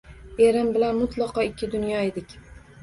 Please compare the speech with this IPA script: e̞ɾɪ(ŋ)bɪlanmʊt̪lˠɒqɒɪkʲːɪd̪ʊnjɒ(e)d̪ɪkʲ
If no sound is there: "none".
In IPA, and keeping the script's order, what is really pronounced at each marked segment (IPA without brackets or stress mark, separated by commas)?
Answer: m, e